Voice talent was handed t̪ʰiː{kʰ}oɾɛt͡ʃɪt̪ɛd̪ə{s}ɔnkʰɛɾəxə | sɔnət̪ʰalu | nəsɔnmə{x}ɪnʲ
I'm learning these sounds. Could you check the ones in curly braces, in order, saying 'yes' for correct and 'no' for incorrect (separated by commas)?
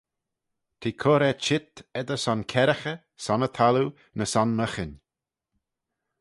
yes, yes, yes